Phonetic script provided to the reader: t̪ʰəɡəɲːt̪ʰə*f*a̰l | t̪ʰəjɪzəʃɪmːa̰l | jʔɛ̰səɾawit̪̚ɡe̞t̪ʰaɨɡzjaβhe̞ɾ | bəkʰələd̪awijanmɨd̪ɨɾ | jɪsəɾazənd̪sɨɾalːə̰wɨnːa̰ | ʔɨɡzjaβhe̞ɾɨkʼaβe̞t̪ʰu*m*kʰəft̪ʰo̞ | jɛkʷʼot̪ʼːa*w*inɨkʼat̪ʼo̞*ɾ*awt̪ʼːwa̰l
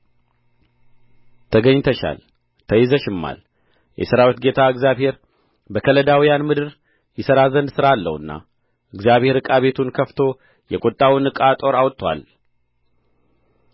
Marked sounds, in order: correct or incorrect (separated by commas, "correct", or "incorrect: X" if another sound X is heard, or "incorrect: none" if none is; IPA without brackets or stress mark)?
incorrect: ʃ, incorrect: n, correct, correct